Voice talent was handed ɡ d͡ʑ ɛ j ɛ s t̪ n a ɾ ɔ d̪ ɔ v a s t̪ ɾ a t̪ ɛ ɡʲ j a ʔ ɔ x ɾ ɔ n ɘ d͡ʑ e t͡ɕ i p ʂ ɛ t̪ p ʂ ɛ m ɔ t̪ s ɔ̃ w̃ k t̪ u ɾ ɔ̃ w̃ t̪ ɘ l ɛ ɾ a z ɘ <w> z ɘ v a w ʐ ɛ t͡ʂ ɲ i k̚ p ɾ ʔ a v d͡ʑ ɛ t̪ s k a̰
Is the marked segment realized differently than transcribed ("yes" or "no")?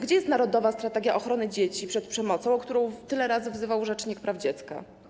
yes